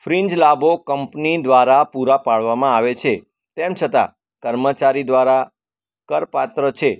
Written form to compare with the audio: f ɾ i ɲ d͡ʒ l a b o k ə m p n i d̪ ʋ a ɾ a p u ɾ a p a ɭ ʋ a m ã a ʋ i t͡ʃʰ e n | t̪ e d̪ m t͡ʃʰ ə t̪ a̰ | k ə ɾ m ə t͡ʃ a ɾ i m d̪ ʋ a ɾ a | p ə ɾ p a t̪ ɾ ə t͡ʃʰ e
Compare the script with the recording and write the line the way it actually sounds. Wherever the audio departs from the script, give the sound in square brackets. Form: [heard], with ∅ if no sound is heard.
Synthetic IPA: f ɾ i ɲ d͡ʒ l a b o k ə m p n i d̪ ʋ a ɾ a p u ɾ a p a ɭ ʋ a m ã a ʋ [e] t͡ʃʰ e [∅] | t̪ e [∅] m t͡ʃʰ ə t̪ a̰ | k ə ɾ m ə t͡ʃ a ɾ i [∅] d̪ ʋ a ɾ a | [k] ə ɾ p a t̪ ɾ ə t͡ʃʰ e